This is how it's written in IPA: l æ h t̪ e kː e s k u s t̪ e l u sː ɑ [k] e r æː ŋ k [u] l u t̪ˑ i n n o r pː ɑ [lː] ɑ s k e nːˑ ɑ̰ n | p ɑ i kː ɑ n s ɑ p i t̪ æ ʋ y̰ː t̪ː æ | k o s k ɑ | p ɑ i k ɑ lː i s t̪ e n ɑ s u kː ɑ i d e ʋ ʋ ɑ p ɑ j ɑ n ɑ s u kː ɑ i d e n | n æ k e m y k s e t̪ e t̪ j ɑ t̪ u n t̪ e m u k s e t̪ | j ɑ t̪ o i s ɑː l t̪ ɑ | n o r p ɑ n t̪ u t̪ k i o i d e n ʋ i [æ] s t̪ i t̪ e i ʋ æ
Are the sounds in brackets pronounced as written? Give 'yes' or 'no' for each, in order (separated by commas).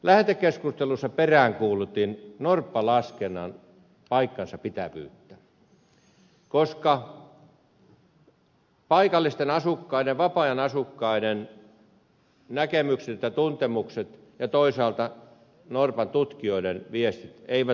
no, no, no, no